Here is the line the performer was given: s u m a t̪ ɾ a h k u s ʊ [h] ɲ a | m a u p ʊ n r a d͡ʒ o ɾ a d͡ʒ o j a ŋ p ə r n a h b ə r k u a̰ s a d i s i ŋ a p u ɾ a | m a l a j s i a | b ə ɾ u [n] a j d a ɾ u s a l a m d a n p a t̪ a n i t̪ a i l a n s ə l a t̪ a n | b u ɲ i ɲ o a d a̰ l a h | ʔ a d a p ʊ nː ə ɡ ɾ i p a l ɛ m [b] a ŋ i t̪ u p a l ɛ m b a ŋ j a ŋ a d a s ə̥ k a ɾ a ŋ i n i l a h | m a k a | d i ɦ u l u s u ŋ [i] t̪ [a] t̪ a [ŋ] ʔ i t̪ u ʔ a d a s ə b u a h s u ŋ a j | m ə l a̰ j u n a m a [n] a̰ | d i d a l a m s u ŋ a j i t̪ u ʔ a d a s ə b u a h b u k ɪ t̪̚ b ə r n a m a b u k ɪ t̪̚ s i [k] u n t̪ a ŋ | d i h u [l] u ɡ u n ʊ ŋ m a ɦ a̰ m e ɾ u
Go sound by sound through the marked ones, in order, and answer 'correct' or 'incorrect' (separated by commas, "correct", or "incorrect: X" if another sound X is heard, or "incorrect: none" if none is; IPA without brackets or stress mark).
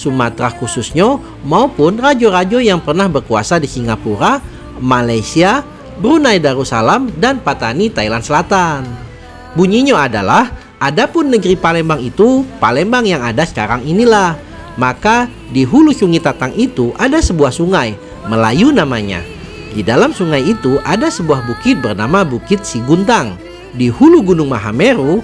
incorrect: s, correct, correct, correct, correct, correct, incorrect: ɲ, incorrect: ɡ, correct